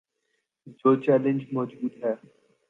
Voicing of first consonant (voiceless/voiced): voiced